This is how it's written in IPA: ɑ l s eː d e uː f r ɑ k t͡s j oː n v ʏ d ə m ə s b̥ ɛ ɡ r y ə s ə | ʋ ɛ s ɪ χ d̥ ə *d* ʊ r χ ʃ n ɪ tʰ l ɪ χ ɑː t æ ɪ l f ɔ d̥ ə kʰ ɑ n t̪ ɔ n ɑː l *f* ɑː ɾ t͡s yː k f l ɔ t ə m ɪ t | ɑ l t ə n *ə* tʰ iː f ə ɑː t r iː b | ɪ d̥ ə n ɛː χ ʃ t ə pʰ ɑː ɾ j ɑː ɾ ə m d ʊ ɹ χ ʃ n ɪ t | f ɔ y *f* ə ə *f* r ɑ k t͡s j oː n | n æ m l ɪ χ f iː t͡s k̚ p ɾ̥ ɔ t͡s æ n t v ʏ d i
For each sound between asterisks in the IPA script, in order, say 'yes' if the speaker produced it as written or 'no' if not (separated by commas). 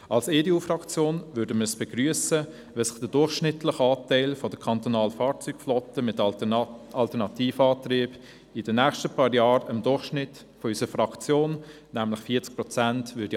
yes, yes, no, no, yes